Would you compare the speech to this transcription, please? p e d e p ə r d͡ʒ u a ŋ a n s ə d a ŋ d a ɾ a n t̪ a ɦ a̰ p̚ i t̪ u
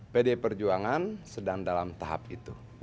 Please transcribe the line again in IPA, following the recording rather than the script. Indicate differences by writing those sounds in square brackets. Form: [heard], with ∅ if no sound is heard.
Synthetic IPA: p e d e p ə r d͡ʒ u a ŋ a n s ə d a ŋ d a [l] a [m] t̪ a ɦ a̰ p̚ i t̪ u